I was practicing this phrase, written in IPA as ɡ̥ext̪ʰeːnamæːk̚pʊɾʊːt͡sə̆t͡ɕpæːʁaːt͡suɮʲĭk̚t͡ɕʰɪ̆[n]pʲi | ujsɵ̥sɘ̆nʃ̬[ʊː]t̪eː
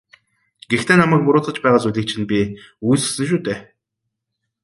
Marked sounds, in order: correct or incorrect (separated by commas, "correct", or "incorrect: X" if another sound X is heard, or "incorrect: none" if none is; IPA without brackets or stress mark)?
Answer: correct, incorrect: uː